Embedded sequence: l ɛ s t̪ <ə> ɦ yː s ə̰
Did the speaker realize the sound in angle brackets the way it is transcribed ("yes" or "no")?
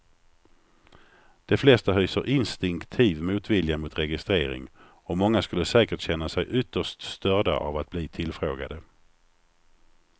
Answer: no